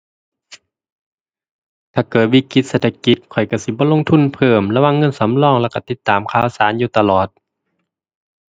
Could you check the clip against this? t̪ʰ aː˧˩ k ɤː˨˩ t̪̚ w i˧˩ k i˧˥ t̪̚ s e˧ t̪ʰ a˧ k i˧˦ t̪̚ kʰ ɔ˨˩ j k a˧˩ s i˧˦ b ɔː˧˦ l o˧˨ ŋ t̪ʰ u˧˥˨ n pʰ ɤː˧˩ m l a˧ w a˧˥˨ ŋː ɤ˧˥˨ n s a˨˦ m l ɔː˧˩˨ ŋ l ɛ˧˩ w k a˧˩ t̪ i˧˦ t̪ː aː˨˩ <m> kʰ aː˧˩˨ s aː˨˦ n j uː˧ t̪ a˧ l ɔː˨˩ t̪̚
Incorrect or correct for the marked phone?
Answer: correct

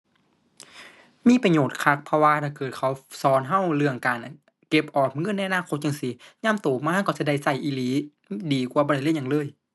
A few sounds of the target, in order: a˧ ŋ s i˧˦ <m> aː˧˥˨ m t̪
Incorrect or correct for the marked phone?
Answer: incorrect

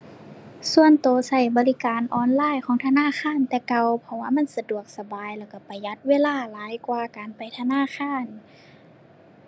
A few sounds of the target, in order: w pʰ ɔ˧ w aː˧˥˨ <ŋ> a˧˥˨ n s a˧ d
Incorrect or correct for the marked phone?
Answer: incorrect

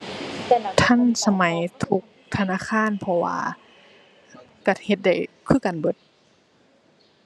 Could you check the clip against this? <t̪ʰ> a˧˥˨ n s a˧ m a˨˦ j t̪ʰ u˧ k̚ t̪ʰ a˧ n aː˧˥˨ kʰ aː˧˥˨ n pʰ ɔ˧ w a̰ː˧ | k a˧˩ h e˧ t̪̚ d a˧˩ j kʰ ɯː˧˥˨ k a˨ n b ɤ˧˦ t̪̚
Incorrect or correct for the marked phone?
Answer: correct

